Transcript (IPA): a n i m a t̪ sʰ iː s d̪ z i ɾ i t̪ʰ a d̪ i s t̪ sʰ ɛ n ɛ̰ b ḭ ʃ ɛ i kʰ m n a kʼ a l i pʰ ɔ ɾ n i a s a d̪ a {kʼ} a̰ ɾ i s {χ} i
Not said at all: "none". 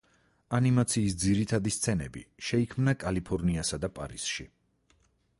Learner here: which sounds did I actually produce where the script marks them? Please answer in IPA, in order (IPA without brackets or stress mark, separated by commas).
pʼ, ʃ